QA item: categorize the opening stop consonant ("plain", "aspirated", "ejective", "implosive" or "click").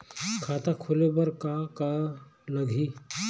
aspirated